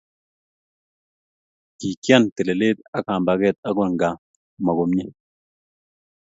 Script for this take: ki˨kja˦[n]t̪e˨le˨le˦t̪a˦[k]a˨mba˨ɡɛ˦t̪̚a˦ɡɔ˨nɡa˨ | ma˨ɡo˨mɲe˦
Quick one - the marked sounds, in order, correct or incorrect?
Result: correct, correct

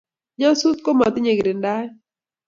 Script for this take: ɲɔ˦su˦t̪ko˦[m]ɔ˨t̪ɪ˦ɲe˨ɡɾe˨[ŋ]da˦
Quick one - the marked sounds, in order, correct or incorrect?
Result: correct, incorrect

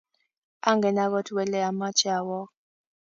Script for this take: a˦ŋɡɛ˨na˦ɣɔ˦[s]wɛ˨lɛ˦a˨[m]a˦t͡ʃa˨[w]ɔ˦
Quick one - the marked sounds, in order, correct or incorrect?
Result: incorrect, correct, correct

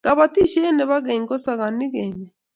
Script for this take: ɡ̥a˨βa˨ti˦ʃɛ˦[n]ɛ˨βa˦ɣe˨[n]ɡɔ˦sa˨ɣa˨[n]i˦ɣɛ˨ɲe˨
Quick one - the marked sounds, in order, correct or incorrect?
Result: correct, incorrect, correct

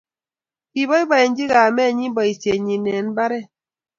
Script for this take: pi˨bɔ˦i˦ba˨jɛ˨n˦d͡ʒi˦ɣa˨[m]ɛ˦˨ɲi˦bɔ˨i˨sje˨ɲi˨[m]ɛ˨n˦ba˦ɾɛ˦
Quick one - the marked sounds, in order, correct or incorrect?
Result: correct, incorrect

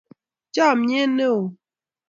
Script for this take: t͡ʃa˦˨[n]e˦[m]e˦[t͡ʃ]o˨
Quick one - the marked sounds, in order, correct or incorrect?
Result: incorrect, incorrect, incorrect

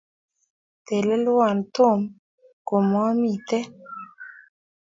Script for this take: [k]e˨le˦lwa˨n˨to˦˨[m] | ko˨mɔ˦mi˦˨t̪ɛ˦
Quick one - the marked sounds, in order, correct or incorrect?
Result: incorrect, correct

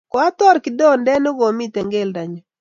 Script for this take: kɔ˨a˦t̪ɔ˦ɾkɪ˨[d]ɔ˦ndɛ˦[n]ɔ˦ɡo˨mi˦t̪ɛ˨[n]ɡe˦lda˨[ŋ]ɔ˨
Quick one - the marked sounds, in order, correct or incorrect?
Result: correct, correct, incorrect, incorrect

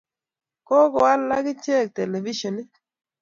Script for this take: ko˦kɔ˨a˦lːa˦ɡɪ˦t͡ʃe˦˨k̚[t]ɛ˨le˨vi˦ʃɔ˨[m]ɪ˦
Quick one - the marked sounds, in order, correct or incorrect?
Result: correct, incorrect

